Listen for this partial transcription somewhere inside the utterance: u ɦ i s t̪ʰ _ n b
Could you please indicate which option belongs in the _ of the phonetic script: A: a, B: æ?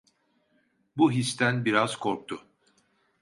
B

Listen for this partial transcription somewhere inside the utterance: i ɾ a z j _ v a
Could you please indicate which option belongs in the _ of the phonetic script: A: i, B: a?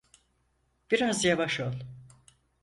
B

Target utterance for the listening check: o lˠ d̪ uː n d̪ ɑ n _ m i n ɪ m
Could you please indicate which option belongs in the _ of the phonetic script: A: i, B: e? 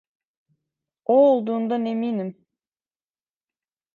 B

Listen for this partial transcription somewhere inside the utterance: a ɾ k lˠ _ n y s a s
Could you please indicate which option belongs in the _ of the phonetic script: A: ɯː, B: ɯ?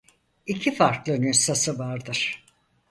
B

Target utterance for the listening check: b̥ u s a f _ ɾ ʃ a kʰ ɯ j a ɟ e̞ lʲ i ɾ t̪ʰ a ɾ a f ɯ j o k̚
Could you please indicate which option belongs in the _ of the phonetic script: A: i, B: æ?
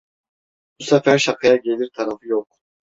B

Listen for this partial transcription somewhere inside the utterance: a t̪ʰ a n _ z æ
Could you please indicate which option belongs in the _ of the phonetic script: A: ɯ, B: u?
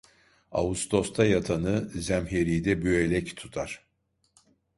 A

